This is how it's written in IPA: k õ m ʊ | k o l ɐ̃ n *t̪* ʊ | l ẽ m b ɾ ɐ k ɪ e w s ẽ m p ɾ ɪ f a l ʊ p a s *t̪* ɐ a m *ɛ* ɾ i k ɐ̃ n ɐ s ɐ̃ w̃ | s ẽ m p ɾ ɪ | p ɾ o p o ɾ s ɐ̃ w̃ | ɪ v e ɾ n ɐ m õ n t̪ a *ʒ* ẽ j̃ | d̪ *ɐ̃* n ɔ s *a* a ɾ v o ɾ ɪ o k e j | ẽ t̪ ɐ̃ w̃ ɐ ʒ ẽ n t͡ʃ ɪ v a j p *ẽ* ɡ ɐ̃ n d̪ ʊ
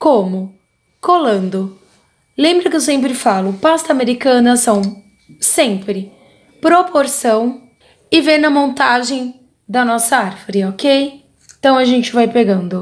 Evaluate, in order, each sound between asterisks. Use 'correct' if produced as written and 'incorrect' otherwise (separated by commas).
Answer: incorrect, correct, incorrect, correct, incorrect, incorrect, incorrect